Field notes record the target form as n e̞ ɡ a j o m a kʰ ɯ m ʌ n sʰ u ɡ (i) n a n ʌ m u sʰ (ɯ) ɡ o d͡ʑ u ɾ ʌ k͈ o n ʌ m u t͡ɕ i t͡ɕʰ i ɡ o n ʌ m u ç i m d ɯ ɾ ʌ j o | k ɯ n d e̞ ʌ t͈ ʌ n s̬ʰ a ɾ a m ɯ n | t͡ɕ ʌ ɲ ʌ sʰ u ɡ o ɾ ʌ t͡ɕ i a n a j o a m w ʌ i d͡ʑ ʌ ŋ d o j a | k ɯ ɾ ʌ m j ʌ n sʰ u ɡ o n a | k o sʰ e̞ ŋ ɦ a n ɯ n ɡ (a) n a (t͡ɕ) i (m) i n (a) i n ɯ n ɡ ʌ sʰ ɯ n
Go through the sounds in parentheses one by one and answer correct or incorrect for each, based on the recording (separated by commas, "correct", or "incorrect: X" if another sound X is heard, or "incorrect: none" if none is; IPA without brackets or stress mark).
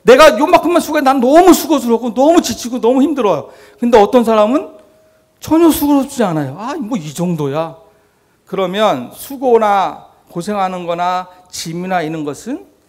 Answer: incorrect: e, incorrect: u, incorrect: ʌ, correct, correct, correct